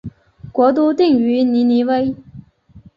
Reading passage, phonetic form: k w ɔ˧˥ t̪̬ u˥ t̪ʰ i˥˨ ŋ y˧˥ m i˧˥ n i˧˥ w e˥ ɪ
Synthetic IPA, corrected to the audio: k w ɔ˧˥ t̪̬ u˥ t̪ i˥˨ ŋ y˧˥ n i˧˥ n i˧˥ w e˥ ɪ